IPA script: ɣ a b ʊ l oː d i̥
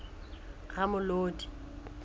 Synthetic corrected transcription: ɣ a m ʊ l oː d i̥